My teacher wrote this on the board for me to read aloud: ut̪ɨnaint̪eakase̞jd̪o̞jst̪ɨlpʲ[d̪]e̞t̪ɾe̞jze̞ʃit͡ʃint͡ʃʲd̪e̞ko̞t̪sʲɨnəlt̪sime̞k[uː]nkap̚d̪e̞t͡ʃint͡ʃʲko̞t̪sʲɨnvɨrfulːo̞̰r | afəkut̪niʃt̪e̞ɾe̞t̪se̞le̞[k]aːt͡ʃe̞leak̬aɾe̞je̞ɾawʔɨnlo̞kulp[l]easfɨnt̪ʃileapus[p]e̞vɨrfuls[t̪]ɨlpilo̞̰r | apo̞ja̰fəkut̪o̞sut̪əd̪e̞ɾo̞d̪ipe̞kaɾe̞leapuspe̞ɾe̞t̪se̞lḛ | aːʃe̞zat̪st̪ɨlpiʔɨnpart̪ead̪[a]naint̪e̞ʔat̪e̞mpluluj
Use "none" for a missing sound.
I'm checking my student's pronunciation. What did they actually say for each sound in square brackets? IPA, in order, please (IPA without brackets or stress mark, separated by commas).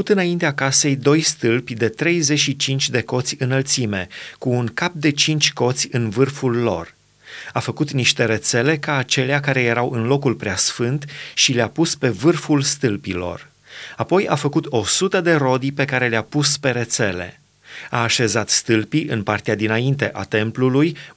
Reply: d̪, uː, k, ɾ, p, t̪, i